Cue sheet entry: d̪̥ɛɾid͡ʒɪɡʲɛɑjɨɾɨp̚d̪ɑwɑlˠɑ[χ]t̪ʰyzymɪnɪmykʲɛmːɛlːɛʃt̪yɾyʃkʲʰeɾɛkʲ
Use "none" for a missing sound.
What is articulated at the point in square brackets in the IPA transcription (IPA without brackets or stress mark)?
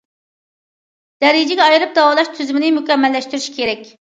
ʃ